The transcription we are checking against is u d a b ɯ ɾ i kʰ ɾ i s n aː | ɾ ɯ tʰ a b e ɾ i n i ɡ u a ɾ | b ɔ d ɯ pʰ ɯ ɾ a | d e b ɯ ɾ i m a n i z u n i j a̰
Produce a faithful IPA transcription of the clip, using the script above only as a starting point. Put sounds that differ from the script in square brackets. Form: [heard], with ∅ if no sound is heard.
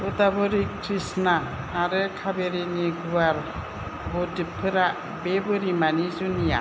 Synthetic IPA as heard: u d a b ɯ ɾ i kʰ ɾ i s n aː | ɾ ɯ [kʰ] a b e ɾ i n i ɡ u a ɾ | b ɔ d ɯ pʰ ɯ ɾ a | [b] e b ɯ ɾ i m a n i z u n i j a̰

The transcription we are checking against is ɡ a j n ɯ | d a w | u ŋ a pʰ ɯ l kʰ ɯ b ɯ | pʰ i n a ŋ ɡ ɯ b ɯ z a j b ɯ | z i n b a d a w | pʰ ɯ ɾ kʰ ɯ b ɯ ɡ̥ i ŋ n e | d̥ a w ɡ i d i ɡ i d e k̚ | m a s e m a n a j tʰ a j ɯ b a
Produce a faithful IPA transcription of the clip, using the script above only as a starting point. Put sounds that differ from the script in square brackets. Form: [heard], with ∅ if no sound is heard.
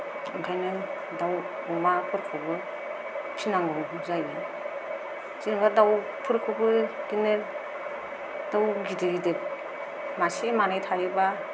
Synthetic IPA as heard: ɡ a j n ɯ | d a w | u [m] a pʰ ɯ [ɾ] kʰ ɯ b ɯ | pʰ i n a ŋ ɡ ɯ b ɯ z a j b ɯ | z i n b a d a w | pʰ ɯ ɾ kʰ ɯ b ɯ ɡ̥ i [∅] n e | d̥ a w ɡ i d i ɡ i d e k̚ | m a s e m a n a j tʰ a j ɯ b a

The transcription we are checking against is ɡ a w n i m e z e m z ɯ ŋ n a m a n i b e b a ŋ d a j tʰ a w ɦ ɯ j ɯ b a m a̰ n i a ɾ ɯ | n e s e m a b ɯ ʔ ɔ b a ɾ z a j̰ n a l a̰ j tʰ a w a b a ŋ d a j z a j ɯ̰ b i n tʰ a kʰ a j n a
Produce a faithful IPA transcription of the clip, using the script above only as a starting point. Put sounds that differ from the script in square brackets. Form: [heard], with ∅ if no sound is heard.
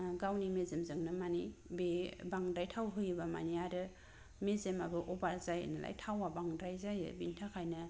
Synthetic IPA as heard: ɡ a w n i m e z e m z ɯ ŋ n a m a n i b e b a ŋ d a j tʰ a w ɦ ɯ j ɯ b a m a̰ n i a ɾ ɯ | [m] e [z] e m a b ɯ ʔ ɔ b a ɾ z a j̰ n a l a̰ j tʰ a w a b a ŋ d a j z a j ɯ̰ b i n tʰ a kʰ a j n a

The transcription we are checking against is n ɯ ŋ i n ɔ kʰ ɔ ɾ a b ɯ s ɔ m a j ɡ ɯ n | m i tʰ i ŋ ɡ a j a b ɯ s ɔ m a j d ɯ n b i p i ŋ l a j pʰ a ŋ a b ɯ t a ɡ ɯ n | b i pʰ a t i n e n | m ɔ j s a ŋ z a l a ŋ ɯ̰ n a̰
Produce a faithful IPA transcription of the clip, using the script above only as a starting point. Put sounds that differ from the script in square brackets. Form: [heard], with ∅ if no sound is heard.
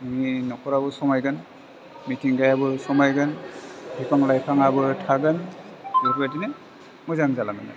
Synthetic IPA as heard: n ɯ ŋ i n ɔ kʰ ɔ ɾ a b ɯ s ɔ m a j ɡ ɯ n | m i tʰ i ŋ ɡ a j a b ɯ s ɔ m a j [ɡ] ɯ n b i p [a] ŋ l a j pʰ a ŋ a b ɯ [tʰ] a ɡ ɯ n | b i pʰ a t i n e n | m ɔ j [z] a ŋ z a l a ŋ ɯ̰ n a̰

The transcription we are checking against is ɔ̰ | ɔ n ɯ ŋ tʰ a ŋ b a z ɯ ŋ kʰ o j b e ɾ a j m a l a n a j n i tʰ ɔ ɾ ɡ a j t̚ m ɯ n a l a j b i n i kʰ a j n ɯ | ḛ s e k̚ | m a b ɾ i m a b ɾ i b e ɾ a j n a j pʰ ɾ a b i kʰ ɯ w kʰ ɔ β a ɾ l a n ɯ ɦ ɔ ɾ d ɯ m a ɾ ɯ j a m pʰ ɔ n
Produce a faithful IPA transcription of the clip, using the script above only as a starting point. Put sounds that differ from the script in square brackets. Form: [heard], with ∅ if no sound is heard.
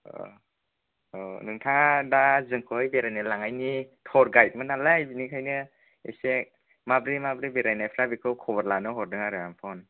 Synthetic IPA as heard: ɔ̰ | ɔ n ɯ ŋ tʰ a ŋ [d] a z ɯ ŋ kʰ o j b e ɾ a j [n] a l a [ŋ] a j n i tʰ ɔ ɾ ɡ a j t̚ m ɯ n a l a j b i n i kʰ a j n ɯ | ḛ s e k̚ | m a b ɾ i m a b ɾ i b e ɾ a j n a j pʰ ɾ a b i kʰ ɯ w kʰ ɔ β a ɾ l a n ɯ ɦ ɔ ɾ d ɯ [ŋ] a ɾ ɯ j a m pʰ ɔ n

